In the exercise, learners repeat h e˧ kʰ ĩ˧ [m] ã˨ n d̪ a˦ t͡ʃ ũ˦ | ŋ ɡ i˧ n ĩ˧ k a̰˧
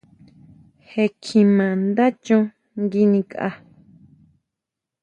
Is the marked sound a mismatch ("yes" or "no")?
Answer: no